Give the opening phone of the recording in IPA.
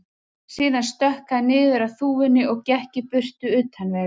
s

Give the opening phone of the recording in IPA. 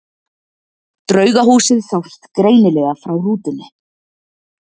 t̪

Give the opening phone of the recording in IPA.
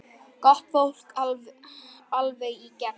k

